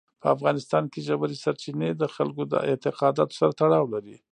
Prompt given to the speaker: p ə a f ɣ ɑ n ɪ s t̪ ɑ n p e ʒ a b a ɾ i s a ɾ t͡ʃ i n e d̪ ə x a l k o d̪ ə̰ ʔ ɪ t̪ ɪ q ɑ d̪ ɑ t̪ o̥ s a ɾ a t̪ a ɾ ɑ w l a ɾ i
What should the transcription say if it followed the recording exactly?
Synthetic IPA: p ə a f ɣ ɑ n ɪ s t̪ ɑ n k e ʒ a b a ɾ i s a ɾ t͡ʃ i n e d̪ ə x a l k o d̪ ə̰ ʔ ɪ t̪ ɪ q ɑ d̪ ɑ t̪ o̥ s a ɾ a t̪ a ɽ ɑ w l a ɾ i